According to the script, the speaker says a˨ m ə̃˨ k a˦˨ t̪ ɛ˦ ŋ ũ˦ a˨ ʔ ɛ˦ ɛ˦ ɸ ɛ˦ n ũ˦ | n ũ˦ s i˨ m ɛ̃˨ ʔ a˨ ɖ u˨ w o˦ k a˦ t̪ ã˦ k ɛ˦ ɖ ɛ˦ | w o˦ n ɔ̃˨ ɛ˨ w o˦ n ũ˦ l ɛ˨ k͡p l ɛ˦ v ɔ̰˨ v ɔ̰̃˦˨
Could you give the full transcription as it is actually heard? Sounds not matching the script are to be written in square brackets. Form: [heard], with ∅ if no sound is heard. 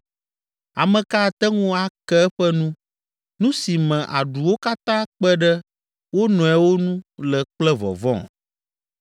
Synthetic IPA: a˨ m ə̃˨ k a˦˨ t̪ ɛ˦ ŋ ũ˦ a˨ [k] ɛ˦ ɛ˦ ɸ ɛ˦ n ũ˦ | n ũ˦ s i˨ m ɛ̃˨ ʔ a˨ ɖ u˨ w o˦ k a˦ t̪ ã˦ [k͡p] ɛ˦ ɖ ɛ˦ | w o˦ n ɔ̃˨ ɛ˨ w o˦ n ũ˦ l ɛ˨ k͡p l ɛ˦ v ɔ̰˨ v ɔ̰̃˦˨